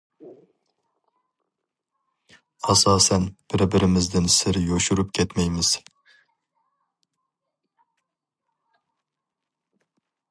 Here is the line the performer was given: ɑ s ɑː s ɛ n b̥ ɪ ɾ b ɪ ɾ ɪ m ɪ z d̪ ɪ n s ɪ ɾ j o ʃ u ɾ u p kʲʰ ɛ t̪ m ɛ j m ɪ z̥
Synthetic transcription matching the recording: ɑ s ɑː s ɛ n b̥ ɪ ɾ b ɪ ɾ ɪ m ɪ z d̪ ɪ n s ɪ ɾ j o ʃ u ɾ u p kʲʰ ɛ t̪ m ɛ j m ɪ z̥